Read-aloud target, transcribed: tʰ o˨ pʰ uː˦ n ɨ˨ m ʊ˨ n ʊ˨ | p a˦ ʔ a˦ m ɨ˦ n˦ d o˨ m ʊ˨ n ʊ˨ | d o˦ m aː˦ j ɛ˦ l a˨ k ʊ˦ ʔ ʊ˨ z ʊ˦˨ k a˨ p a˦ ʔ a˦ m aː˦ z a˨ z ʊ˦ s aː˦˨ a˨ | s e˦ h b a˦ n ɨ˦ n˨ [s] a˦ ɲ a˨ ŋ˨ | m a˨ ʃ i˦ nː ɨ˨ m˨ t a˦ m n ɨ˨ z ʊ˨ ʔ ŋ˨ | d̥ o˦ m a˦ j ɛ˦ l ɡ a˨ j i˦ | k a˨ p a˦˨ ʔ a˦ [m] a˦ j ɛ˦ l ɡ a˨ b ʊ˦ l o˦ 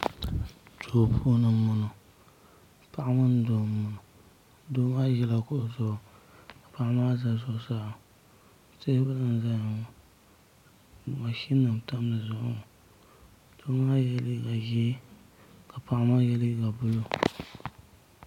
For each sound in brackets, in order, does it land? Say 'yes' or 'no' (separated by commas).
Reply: no, yes